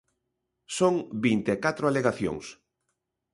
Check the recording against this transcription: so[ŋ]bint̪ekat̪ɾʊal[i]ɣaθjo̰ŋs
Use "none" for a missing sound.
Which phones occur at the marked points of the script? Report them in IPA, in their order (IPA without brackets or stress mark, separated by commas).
ŋ, e